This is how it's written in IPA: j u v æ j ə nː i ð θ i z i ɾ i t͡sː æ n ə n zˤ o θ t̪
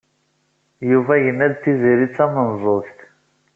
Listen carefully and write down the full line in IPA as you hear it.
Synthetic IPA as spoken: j u v æ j ə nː æ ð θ i z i ɾ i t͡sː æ m ə n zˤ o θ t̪